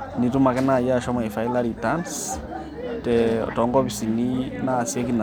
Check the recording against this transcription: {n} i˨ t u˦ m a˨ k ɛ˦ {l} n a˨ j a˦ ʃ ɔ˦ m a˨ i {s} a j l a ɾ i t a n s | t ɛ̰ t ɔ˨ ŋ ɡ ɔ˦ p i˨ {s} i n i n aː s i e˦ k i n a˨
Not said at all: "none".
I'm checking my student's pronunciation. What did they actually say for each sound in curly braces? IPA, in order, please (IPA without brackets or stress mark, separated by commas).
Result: n, none, f, s